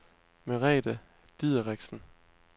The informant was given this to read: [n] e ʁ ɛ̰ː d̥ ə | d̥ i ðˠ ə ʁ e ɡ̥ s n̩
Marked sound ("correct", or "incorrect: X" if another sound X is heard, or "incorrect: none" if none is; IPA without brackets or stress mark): incorrect: m